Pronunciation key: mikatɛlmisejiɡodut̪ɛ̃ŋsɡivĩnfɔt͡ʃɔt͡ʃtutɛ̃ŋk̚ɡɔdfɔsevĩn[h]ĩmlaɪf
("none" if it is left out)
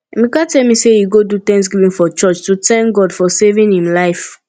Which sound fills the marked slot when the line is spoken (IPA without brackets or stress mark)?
h